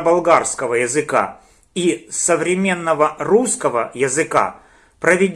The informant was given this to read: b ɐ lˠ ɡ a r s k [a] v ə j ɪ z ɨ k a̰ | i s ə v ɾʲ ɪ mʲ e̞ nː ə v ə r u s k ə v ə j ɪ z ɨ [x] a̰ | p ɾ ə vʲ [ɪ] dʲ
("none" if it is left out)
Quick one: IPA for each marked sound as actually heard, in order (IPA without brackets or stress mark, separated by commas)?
ə, k, ɪ